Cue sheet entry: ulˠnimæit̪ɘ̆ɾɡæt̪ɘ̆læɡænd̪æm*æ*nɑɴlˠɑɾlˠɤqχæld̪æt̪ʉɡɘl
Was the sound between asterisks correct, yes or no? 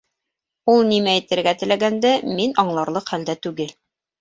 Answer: no